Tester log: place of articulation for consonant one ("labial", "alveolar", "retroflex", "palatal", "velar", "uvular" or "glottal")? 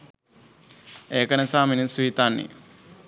velar